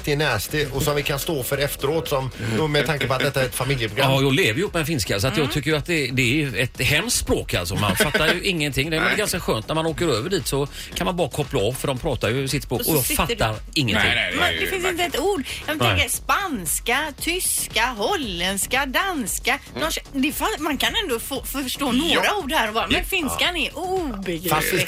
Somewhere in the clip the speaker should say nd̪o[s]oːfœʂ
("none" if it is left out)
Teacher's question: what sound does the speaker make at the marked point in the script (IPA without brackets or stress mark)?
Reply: f